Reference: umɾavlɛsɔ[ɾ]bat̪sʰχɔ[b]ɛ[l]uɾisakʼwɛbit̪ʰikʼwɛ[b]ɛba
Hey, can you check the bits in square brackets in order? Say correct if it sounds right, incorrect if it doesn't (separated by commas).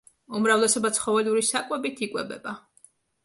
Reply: incorrect, incorrect, correct, correct